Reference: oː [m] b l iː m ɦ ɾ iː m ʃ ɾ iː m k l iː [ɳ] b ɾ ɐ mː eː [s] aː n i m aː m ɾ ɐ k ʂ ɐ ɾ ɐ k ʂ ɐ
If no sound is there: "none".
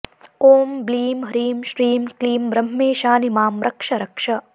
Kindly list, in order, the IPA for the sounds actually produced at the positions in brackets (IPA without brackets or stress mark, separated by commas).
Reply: m, m, ʃ